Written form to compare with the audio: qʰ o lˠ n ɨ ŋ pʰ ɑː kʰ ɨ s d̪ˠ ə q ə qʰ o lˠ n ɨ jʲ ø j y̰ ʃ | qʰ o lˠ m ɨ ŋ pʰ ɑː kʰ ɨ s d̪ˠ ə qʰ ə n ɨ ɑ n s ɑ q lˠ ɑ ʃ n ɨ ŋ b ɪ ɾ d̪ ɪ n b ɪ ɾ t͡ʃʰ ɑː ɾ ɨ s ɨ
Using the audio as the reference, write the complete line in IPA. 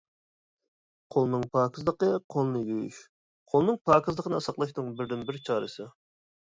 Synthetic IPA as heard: qʰ o lˠ n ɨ ŋ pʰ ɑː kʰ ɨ z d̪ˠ ə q ə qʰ o lˠ n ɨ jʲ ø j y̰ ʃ | qʰ o lˠ n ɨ ŋ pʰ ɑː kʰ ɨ z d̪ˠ ə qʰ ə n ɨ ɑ s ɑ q lˠ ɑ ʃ n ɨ ŋ b ɪ ɾ d̪ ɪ n b ɪ ɾ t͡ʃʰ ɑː ɾ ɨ s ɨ